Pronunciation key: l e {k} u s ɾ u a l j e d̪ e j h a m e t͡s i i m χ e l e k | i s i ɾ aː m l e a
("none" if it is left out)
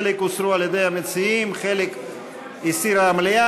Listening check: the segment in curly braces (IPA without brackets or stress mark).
k